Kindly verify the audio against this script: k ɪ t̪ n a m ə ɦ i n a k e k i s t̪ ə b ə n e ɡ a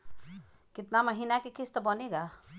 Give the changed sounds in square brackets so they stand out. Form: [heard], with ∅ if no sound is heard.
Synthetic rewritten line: k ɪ t̪ n a m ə ɦ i n a k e k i s t̪ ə b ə n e ɡ a